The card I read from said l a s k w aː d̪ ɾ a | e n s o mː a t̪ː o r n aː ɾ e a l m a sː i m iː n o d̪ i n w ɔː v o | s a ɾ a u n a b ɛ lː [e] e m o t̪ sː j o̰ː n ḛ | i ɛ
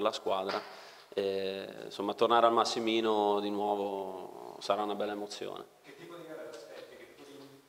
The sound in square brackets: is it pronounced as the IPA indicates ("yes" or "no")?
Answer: no